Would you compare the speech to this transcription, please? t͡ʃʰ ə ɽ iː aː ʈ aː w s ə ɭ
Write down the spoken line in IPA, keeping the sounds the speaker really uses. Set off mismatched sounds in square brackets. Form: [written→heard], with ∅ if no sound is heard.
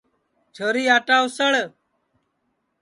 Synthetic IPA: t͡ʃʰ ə [ɽ→ɾ] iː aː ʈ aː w s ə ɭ